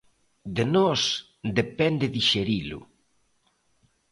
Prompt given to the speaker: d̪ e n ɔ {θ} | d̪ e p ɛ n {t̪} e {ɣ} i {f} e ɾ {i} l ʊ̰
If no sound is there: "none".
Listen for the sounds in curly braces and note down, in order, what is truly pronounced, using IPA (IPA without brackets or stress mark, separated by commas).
s, d̪, ð, ʃ, i